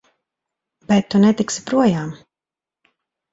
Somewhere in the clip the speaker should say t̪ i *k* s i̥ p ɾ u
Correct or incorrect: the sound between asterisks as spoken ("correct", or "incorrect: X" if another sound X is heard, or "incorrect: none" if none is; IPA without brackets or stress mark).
correct